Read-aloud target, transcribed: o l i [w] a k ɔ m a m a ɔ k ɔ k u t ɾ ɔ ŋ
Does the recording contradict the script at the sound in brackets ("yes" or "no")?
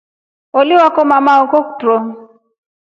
no